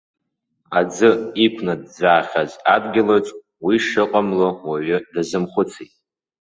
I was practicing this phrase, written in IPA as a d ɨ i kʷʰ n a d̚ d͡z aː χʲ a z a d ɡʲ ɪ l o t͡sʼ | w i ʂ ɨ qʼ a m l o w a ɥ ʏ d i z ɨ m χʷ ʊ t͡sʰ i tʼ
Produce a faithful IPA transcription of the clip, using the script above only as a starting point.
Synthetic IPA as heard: a d͡z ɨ i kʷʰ n a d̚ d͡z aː χʲ a z a d ɡʲ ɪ l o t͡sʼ | w i ʂ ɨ qʼ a m l o w a ɥ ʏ d a z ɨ m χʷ ʊ t͡sʰ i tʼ